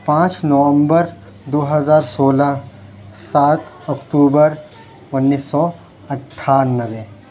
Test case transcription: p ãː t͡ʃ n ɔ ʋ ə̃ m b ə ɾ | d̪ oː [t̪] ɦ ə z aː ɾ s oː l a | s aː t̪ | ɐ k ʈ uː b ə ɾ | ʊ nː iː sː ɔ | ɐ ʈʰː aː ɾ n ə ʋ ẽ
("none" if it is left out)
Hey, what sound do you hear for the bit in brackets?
none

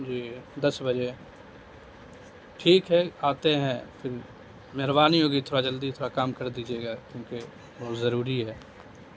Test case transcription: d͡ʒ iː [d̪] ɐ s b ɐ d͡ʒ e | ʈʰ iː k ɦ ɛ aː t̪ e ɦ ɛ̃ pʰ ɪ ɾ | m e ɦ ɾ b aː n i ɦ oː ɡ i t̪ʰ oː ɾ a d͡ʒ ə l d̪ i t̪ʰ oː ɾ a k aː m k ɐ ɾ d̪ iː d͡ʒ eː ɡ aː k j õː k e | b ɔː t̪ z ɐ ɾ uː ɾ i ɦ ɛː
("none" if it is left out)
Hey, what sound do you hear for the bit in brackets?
d̪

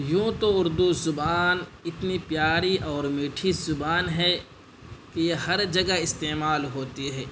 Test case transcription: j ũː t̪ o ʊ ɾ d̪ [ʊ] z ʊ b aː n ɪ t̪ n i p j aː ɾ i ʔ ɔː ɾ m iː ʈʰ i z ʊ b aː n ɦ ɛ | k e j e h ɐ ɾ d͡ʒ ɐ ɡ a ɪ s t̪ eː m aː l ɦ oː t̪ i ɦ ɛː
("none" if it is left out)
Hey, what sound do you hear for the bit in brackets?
u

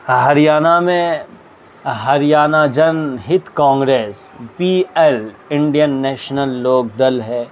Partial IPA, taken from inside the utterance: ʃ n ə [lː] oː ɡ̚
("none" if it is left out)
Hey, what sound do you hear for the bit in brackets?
lː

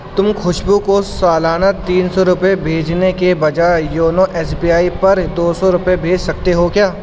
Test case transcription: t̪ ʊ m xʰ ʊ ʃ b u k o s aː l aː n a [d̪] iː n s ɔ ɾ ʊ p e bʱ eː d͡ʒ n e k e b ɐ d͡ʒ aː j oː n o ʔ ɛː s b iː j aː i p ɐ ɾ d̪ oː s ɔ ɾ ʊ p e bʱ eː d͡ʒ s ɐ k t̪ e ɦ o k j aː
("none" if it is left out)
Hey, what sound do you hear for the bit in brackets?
t̪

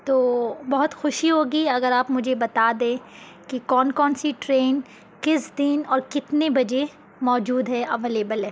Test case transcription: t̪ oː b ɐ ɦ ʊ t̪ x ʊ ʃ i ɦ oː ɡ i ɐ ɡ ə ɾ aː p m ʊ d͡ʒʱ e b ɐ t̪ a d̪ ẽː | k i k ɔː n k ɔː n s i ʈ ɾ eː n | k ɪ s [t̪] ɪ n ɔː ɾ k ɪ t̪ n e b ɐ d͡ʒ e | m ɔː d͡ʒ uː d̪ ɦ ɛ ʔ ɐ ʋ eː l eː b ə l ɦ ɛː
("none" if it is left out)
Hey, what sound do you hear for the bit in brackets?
d̪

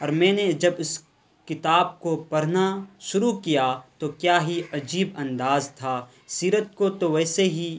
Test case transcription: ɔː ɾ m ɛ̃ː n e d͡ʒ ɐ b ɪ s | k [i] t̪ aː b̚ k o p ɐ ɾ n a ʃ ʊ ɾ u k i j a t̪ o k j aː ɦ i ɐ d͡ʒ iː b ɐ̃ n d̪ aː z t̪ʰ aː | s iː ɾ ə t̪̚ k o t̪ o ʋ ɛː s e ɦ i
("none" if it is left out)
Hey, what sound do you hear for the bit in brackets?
ɪ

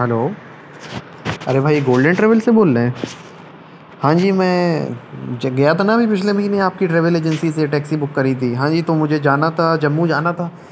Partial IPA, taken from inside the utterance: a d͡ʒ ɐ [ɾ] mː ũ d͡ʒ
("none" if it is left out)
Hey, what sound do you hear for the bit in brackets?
none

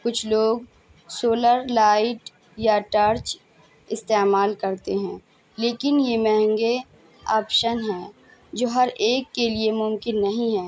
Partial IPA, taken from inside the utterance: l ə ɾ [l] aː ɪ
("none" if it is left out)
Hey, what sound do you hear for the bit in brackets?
l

